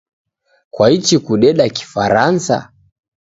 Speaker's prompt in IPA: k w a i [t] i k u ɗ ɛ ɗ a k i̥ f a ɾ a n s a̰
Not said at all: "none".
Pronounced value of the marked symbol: t͡ʃ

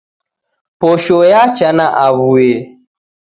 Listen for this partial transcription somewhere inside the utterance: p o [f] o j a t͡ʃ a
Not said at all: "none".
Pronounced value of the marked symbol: ʃ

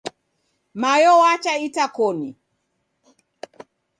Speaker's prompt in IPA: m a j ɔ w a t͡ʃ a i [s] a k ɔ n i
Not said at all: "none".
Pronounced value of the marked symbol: t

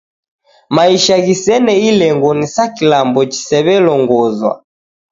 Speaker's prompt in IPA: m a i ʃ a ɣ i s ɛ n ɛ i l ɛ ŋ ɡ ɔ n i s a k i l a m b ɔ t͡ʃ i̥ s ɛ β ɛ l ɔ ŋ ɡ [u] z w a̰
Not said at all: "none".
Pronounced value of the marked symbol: ɔ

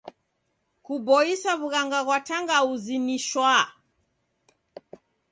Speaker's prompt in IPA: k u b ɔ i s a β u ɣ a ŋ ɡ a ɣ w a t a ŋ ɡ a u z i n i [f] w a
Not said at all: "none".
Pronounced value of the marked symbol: ʃ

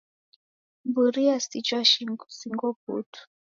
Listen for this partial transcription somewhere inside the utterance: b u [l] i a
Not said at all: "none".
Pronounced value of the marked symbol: ɾ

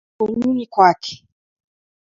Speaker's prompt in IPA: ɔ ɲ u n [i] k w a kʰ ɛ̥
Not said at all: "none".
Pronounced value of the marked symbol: i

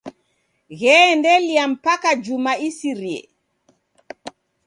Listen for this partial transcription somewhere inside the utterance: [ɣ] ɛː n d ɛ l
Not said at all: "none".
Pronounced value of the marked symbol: ɣ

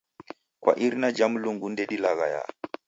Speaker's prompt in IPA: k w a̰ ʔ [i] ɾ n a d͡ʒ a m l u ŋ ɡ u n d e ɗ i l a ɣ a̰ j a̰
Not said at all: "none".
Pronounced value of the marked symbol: i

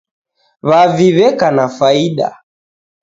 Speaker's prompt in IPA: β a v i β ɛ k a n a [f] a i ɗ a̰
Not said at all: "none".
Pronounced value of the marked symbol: f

